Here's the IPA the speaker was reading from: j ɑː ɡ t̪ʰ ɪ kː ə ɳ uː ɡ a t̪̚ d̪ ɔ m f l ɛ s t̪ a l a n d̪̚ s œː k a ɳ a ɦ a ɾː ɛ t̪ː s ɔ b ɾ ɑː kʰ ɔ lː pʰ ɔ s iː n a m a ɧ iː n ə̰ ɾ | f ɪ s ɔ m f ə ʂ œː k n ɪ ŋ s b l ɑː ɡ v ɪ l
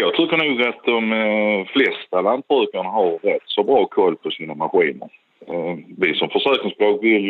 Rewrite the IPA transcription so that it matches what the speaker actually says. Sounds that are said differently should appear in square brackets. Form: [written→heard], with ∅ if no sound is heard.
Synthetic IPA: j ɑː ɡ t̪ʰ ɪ kː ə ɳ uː ɡ a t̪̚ d̪ ɔ m f l ɛ s t̪ a l a n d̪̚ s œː k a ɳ a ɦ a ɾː ɛ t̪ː s ɔ b ɾ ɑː kʰ ɔ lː pʰ ɔ s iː n a m a ɧ iː n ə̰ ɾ | [f→v] ɪ s ɔ m f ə ʂ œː k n ɪ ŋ s b l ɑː ɡ v ɪ l